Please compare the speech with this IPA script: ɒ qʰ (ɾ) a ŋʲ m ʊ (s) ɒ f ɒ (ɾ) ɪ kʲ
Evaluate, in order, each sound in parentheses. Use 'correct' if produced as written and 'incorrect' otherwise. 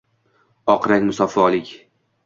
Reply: correct, correct, incorrect

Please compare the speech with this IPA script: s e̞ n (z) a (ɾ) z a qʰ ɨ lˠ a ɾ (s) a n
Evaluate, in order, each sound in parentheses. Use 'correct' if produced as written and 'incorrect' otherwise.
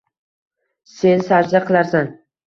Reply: incorrect, correct, correct

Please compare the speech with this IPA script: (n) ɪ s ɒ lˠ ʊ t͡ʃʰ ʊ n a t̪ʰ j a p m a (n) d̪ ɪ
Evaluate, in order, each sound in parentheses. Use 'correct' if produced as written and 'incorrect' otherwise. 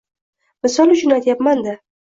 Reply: incorrect, correct

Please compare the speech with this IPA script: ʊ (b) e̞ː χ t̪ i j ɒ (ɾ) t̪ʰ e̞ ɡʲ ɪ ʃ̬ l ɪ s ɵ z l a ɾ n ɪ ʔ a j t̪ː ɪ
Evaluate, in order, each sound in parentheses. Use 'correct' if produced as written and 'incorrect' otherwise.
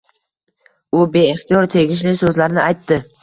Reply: correct, correct

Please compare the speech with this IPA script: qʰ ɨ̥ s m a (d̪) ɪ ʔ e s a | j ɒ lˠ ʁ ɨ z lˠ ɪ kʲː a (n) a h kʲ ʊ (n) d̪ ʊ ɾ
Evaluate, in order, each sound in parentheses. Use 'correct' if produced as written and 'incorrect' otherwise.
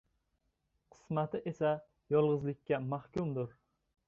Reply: incorrect, incorrect, incorrect

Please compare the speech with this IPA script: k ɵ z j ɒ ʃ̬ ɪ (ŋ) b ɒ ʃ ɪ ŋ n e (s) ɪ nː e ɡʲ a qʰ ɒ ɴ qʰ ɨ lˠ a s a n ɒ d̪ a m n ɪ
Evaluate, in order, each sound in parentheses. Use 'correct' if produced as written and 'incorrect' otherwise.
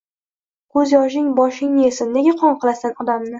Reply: correct, correct

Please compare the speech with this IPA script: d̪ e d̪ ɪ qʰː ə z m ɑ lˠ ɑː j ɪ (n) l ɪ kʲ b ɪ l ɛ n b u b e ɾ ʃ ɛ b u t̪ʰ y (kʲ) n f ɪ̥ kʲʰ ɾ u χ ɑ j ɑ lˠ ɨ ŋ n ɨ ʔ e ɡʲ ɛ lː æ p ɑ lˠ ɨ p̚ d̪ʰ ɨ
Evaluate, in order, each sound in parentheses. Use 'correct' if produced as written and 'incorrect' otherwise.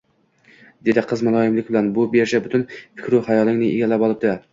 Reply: incorrect, incorrect

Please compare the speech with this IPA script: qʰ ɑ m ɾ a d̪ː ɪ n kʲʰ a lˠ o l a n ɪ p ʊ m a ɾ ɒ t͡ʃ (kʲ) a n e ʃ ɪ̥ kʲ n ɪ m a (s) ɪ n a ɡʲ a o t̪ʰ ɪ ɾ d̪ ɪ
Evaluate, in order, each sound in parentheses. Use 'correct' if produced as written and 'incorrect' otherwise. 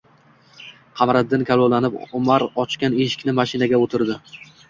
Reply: correct, incorrect

